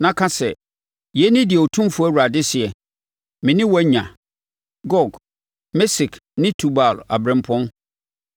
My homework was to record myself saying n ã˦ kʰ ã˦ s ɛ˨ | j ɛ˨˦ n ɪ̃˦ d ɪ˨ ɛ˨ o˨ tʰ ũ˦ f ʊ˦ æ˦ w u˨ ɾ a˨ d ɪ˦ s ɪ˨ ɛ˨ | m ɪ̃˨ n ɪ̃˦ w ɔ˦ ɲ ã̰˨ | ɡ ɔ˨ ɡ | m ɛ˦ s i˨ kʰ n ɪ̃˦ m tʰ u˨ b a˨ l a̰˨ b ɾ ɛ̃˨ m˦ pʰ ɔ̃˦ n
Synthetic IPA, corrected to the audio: n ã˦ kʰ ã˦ s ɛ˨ | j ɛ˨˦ n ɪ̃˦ d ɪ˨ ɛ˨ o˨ tʰ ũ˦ f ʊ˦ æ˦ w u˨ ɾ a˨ d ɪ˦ s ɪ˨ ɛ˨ | m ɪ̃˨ n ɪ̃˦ w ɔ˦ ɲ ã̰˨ | ɡ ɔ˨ ɡ | m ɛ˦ s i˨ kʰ n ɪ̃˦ tʰ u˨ b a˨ l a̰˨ b ɾ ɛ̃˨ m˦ pʰ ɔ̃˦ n